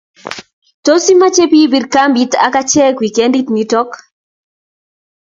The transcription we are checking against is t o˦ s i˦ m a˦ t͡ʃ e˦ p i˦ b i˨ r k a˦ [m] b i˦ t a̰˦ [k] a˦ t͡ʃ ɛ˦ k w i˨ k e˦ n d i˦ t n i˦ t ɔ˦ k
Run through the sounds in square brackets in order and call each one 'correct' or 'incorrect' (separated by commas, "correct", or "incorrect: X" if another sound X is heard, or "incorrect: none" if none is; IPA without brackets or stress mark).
correct, correct